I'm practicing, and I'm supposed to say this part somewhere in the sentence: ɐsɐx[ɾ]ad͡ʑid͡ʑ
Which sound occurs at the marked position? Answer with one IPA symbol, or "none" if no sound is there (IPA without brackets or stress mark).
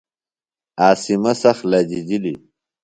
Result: l